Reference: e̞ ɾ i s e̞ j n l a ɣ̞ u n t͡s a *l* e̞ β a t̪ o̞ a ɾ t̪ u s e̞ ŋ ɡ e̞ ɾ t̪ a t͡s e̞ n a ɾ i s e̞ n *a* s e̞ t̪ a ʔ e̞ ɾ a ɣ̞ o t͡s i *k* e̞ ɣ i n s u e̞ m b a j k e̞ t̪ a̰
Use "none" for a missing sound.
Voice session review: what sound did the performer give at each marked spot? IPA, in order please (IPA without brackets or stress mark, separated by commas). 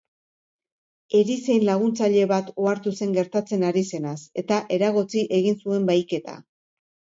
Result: ʎ, a, ʔ